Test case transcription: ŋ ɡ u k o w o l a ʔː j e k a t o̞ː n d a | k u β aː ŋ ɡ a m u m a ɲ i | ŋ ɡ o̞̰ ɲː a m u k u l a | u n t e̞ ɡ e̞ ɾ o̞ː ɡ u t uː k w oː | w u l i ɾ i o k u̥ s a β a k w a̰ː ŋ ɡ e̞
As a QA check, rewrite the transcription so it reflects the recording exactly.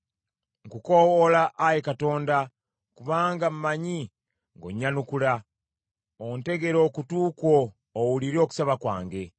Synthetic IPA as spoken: ŋ k u k o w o l a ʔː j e k a t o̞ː n d a | k u β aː ŋ ɡ a m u m a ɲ i | ŋ ɡ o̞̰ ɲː a n u k u l a | o n t e̞ ɡ e̞ ɾ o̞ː k u t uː k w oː | w u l i ɾ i o k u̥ s a β a k w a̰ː ŋ ɡ e̞